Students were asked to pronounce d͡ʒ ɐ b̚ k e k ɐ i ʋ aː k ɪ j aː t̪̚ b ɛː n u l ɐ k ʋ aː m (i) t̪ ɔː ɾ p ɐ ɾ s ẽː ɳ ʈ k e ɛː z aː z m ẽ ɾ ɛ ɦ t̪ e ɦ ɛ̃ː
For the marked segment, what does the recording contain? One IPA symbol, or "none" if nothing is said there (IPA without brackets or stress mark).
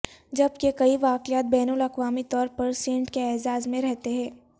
i